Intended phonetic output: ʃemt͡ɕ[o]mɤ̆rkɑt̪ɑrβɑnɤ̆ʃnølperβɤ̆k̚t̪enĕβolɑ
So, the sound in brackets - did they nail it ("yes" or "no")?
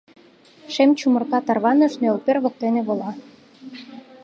no